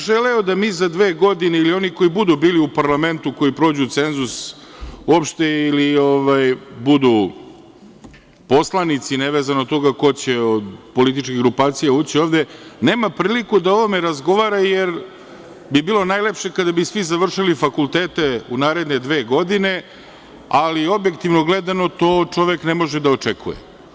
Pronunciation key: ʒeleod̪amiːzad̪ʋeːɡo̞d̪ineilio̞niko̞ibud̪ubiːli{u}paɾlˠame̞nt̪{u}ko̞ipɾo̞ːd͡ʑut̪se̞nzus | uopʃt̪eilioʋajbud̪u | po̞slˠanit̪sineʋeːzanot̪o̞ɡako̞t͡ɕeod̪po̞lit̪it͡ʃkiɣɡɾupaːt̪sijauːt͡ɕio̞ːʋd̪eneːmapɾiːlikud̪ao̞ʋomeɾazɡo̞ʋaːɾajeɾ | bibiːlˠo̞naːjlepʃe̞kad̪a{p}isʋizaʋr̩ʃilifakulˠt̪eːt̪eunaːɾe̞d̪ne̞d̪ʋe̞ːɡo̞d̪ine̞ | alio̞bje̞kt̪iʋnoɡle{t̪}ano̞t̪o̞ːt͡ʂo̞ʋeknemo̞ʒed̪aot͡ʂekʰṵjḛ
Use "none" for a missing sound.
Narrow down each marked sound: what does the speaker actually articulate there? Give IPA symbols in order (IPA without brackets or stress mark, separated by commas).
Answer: u, u, b, d̪